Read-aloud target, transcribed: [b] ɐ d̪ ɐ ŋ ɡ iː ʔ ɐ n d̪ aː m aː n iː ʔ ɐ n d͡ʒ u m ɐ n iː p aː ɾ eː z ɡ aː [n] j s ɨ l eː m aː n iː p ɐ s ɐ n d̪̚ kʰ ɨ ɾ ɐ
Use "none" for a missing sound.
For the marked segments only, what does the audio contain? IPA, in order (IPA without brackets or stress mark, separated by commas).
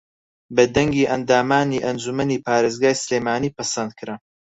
b, none